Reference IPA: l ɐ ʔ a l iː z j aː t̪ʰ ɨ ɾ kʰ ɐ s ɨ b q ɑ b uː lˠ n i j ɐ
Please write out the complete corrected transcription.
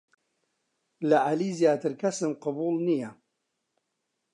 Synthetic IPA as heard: l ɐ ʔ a l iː z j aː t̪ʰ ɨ ɾ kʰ ɐ s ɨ m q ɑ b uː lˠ n i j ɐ